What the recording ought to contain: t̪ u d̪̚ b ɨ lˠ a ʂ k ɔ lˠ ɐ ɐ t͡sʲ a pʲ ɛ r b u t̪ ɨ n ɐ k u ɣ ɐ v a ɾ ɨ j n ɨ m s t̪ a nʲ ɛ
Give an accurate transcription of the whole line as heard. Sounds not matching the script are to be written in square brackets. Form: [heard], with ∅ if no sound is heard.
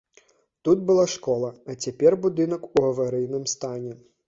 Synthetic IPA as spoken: t̪ u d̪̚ b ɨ lˠ a ʂ k ɔ lˠ ɐ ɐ t͡sʲ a pʲ ɛ r b u [d̪] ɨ n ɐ k u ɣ ɐ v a ɾ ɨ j n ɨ m s t̪ a nʲ ɛ